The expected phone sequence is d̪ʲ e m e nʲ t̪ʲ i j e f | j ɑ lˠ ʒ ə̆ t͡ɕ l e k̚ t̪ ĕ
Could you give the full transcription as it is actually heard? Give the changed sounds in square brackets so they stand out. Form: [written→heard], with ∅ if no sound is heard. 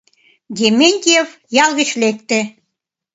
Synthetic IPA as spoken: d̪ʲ e m e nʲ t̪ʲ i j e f | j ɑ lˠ [ʒ→ɣ] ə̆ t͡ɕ l e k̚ t̪ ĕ